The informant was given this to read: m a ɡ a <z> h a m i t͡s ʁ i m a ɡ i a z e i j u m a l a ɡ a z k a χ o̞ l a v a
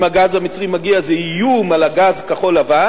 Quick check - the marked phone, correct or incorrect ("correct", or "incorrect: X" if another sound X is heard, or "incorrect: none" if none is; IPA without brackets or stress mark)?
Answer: correct